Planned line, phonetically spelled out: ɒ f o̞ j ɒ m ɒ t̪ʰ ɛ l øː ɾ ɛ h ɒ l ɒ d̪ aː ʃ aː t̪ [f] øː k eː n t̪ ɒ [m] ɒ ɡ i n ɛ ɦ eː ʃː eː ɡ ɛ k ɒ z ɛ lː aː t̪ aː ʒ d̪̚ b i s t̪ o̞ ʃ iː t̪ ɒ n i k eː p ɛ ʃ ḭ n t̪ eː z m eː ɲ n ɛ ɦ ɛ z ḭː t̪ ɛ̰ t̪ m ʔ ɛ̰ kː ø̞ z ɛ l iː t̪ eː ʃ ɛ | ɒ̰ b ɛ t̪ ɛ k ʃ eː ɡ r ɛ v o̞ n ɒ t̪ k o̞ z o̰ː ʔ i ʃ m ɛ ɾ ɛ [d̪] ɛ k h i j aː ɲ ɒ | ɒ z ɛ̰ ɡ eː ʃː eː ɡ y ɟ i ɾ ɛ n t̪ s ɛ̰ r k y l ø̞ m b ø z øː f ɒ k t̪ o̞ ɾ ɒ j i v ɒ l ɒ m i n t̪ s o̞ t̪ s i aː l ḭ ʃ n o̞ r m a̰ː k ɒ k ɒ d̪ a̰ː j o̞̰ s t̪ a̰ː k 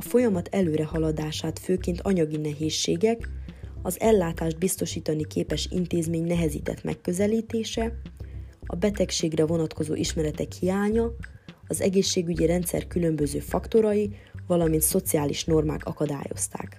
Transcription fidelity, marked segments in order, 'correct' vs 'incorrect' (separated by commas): correct, incorrect, incorrect